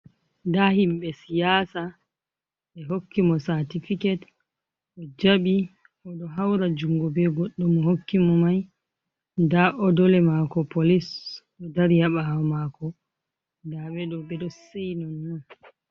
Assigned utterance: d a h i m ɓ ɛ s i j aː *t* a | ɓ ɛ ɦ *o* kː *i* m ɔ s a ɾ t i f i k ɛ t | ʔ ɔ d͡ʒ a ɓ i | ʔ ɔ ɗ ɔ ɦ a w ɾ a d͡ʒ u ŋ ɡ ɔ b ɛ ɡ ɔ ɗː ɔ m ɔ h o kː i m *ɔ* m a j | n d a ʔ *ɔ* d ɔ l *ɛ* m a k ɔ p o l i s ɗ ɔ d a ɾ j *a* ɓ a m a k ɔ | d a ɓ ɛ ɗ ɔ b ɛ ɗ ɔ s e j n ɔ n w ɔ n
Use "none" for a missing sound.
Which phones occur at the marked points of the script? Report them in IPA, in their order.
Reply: s, o, i, ɔ, ɔ, ɛ, a

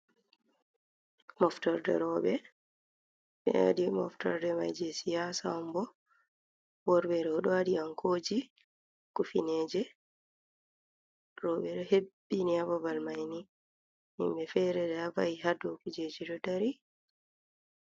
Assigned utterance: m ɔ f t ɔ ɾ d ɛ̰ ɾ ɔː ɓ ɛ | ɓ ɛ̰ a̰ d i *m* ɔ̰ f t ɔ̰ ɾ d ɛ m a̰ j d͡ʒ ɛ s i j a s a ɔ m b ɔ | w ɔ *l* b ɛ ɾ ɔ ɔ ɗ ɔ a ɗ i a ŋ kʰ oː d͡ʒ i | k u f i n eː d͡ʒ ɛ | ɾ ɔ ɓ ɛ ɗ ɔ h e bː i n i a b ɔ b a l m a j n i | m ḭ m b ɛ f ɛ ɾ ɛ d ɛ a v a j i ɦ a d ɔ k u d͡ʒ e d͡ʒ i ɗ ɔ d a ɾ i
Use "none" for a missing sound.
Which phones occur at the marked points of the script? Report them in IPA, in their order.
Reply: m, ɾ

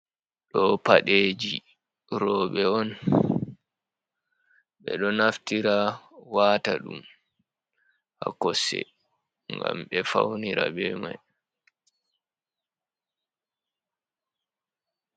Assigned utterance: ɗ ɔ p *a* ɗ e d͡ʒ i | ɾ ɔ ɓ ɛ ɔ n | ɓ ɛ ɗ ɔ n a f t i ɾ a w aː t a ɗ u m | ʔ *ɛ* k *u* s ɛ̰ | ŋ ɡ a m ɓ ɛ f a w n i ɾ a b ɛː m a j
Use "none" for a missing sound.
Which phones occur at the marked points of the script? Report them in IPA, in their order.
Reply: a, a, ɔ

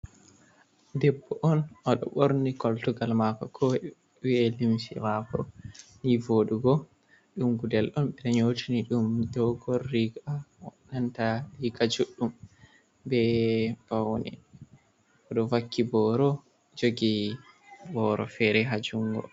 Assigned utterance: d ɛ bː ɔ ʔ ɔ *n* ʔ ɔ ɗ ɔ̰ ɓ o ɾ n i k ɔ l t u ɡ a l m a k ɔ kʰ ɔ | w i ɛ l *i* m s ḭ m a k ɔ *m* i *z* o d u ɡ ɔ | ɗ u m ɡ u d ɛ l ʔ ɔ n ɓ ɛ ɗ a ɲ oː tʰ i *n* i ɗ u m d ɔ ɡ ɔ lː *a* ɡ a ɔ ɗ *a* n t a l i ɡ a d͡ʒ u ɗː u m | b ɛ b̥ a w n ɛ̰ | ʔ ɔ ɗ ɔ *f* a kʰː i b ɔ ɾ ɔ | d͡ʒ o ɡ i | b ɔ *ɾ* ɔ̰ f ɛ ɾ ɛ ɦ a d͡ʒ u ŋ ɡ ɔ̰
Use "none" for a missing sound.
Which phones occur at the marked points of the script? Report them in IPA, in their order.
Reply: n, i, n, v, n, i, a, v, ɾ

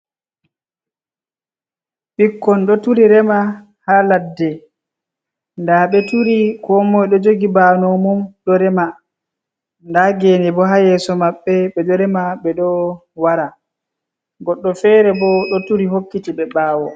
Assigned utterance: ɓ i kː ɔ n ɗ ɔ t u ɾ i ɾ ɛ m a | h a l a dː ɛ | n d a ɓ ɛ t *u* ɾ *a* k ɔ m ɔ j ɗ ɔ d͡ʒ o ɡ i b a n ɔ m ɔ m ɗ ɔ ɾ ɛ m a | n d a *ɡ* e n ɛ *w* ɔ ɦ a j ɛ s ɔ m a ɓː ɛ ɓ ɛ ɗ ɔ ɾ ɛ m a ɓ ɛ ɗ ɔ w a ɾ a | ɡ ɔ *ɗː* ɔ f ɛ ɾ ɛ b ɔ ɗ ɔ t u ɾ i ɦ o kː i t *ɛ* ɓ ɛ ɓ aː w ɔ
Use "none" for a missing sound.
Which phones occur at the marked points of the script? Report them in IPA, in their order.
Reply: u, i, ɡ, b, ɗː, i

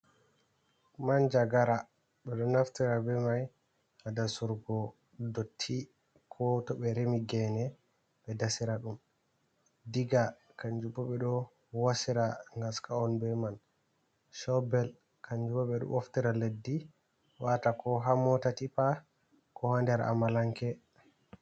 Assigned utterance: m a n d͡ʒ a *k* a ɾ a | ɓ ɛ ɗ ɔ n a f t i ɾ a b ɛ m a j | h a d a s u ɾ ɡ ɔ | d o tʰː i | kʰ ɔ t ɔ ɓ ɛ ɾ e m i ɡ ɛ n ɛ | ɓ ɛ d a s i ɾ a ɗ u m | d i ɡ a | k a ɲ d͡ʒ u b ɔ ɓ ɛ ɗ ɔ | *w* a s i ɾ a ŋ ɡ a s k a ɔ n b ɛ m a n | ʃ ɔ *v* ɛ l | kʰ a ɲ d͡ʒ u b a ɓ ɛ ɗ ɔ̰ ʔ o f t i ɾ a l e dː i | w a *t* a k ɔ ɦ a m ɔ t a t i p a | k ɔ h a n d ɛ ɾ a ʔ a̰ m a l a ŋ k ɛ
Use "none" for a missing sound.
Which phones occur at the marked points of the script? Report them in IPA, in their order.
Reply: ɡ, w, b, t

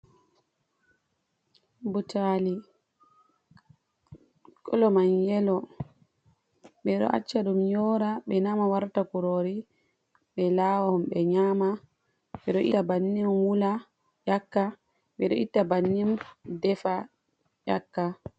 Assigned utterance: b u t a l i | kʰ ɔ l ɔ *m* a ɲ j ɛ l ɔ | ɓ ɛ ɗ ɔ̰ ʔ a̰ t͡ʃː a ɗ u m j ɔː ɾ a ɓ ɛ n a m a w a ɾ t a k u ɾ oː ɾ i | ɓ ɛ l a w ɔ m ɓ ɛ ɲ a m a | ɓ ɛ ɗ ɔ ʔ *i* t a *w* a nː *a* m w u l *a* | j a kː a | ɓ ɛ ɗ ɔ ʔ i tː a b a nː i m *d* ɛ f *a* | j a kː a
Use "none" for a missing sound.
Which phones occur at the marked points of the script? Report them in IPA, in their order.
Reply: m, i, b, i, a, d, a

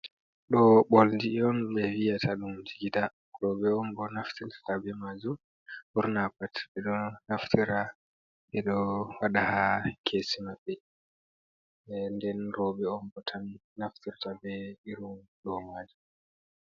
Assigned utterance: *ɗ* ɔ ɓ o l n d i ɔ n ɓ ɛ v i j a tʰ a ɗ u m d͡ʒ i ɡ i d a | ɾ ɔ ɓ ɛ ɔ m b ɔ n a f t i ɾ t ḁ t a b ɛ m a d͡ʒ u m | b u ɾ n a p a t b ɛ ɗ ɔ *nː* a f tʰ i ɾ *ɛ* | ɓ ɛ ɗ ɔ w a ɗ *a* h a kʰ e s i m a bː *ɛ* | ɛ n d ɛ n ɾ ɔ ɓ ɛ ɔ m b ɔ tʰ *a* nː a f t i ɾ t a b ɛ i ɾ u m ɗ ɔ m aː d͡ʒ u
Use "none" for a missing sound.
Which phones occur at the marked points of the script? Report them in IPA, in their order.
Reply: ɗ, n, a, a, ɛ, a

